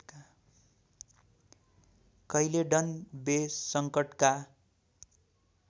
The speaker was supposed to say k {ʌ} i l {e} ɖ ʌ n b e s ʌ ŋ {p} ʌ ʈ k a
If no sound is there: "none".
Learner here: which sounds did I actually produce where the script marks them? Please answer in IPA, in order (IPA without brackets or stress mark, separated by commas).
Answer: ʌ, e, k